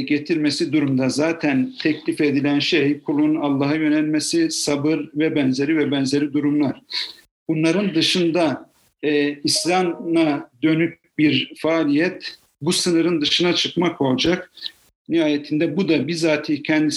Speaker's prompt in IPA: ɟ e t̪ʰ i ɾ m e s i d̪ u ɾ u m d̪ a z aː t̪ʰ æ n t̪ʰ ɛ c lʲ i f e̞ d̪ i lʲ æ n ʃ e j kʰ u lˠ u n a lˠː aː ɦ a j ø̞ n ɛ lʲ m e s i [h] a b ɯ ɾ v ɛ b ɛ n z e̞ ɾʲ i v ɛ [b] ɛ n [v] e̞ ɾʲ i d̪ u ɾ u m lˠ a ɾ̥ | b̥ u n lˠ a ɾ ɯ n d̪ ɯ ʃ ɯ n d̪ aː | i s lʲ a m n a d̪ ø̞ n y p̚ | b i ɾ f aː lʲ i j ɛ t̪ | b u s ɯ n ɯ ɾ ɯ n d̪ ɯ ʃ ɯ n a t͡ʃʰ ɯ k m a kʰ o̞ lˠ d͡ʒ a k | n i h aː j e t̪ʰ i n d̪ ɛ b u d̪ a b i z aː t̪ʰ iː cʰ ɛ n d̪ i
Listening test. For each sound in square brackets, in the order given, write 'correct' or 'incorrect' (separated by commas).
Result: incorrect, correct, incorrect